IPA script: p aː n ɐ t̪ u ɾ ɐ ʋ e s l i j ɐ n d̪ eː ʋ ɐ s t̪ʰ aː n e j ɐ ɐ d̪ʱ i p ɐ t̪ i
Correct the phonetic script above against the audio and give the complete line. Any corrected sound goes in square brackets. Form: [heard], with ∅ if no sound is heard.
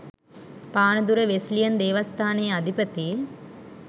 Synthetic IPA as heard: p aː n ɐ [d̪] u ɾ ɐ ʋ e s l i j ɐ n d̪ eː ʋ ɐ s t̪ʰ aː n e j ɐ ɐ d̪ʱ i p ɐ t̪ i

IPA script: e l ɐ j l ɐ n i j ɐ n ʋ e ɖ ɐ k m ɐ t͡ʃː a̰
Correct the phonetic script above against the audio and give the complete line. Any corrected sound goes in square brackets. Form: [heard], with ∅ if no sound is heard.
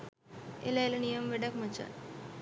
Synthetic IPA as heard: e l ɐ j l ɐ n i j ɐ [m] ʋ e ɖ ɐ k m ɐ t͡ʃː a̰

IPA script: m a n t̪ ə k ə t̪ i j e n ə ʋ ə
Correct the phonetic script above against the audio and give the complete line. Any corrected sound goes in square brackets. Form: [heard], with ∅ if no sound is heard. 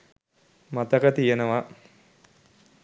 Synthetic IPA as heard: m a [∅] t̪ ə k ə t̪ i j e n ə ʋ [a]

